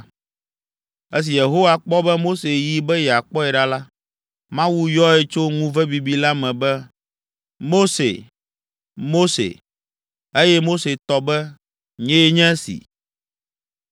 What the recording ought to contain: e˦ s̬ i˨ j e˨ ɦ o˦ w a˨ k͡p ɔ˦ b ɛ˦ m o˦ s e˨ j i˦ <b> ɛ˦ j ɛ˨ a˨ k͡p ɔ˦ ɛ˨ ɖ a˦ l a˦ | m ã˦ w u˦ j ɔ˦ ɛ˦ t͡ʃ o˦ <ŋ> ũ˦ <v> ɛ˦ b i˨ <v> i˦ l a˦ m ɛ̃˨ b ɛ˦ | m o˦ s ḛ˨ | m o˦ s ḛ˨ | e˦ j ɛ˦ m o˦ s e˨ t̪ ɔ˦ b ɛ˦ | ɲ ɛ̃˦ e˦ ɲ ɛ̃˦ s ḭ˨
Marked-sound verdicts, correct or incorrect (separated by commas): correct, correct, correct, incorrect